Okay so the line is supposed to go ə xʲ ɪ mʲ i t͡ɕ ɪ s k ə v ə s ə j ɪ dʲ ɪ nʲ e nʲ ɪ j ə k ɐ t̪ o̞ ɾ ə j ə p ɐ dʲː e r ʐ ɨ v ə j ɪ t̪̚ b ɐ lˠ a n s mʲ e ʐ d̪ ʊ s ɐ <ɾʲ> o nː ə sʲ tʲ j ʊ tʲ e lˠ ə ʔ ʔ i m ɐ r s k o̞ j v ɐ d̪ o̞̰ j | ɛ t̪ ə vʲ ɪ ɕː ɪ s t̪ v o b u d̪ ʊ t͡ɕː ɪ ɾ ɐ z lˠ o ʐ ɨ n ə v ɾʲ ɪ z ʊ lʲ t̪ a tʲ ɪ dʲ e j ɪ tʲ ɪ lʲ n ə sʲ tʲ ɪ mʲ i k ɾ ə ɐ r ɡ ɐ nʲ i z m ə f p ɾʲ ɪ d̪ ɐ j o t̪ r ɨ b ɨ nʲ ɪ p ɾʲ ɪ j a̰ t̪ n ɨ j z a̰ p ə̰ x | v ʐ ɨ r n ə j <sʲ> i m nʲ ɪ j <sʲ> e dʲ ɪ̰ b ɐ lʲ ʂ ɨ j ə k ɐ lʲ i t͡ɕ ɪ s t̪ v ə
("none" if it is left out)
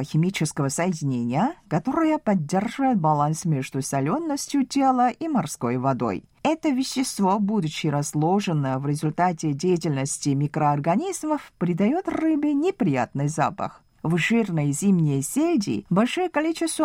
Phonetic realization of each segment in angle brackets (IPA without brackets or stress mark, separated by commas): lʲ, zʲ, sʲ